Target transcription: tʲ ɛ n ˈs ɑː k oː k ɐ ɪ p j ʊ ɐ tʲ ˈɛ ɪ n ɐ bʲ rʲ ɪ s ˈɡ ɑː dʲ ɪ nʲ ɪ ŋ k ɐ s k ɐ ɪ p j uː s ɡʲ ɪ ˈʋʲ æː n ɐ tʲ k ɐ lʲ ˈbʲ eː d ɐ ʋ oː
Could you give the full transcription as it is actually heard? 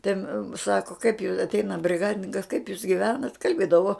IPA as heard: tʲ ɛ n ˈs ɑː k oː k ɐ ɪ p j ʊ ɐ tʲ ˈɛ ɪ n ɐ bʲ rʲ ɪ ˈɡ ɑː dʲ ɪ nʲ ɪ ŋ k ɐ s k ɐ ɪ p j uː s ɡʲ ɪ ˈʋʲ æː n ɐ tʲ k ɐ lʲ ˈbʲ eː d ɐ ʋ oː